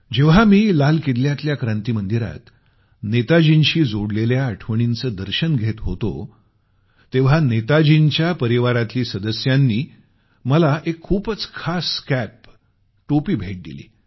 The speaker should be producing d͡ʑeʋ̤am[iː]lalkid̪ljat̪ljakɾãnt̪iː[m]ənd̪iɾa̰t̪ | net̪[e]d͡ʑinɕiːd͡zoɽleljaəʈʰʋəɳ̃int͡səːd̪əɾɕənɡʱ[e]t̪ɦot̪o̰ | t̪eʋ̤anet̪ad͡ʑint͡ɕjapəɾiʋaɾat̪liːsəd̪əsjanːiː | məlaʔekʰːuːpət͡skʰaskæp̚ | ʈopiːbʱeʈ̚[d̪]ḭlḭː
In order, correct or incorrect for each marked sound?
correct, correct, incorrect, correct, correct

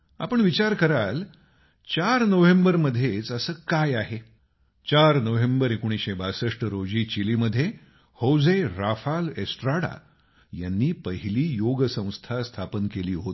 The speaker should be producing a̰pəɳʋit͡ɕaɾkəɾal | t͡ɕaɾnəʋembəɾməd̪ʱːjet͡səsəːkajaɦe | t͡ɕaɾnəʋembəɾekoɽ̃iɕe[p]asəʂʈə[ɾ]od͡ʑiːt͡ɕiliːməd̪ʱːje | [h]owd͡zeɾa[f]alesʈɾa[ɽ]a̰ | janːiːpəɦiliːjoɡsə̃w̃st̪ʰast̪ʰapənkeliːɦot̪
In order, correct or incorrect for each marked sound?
incorrect, correct, correct, correct, correct

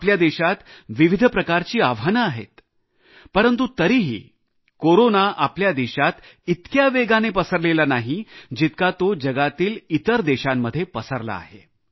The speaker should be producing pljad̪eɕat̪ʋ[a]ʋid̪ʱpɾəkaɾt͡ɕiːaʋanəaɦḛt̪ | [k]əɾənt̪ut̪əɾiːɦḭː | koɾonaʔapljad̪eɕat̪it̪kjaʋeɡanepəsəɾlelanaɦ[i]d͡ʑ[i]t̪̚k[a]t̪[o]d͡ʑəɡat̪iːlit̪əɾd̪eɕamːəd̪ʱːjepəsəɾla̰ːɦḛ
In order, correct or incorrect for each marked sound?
incorrect, incorrect, correct, correct, correct, correct

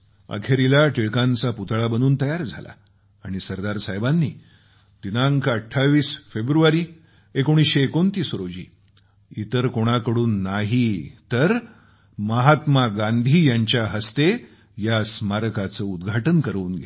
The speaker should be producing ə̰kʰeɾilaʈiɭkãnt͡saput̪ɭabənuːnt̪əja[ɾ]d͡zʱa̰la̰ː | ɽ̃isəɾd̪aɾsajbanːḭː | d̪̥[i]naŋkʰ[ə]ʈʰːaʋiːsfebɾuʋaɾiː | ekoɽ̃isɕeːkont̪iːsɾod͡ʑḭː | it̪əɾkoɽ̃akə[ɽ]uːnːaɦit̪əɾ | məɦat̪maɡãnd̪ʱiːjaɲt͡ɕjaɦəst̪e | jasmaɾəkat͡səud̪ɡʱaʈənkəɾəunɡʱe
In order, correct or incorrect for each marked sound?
correct, correct, correct, correct

